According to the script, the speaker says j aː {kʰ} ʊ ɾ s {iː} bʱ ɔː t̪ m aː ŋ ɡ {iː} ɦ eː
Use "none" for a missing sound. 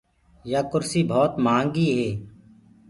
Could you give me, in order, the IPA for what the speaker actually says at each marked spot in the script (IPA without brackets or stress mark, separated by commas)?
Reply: k, iː, iː